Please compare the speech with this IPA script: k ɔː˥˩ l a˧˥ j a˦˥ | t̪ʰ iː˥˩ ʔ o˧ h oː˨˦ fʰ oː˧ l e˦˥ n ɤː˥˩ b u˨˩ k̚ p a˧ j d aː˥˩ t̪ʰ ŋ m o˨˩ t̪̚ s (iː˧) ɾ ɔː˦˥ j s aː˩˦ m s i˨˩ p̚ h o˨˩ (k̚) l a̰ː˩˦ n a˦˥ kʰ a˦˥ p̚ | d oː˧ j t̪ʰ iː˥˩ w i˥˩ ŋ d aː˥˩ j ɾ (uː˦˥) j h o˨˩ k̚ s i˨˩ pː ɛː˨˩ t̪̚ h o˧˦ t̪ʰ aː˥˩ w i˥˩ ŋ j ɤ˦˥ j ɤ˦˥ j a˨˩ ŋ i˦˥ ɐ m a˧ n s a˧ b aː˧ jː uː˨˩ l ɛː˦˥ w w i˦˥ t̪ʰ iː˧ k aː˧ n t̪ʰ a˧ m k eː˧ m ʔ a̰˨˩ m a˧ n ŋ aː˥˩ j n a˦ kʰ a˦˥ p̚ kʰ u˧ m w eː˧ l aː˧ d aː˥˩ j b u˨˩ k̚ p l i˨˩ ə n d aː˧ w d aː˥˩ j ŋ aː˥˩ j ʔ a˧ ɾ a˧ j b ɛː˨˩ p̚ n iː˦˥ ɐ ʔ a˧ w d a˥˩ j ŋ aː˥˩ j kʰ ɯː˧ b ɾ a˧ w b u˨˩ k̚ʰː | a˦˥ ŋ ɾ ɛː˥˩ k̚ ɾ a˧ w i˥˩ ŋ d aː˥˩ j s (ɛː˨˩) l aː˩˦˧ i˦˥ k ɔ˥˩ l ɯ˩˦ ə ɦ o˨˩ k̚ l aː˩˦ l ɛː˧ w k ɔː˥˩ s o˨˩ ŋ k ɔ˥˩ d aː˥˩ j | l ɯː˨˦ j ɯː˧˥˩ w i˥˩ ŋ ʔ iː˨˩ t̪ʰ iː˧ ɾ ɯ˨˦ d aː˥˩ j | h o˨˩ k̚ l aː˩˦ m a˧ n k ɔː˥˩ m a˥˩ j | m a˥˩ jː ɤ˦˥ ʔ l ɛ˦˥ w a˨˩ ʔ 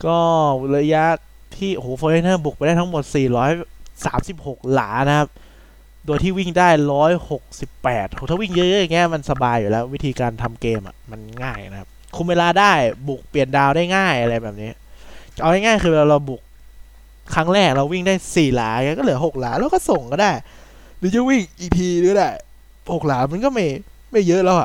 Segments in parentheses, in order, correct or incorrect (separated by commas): incorrect, correct, incorrect, incorrect